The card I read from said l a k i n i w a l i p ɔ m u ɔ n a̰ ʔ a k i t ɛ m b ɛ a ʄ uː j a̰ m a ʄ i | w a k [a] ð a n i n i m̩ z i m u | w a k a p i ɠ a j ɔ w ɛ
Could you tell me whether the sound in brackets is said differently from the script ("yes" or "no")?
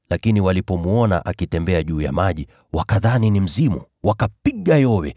no